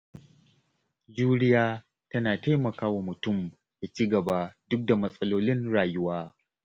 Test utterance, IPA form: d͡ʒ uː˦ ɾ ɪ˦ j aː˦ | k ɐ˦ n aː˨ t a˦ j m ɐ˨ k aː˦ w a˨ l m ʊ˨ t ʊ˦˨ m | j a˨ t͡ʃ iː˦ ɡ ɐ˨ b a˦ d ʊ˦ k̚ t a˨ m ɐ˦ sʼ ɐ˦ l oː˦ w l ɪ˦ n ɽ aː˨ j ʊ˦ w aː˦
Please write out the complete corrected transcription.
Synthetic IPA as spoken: d͡ʒ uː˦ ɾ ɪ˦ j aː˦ | t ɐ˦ n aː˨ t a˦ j m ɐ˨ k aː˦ w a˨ m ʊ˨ t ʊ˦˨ m | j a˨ t͡ʃ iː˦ ɡ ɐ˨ b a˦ d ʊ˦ k̚ d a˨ m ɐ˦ sʼ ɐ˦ l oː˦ l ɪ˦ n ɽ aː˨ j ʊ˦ w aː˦